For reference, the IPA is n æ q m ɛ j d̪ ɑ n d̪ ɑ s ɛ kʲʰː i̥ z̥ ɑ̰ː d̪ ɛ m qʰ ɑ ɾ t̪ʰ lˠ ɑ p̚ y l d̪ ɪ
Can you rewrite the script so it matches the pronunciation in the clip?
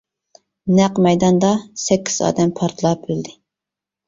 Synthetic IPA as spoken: n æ q m ɛ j d̪ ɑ n d̪ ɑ s ɛ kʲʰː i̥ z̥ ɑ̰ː d̪ ɛ m pʰ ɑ ɾ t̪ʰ lˠ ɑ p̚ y l d̪ ɪ